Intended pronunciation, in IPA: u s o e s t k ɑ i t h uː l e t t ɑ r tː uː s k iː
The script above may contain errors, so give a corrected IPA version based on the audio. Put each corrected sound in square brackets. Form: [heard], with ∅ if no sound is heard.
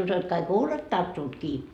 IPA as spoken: u s o e [∅] t k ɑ i [k] h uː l e t t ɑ r tː uː [t] k iː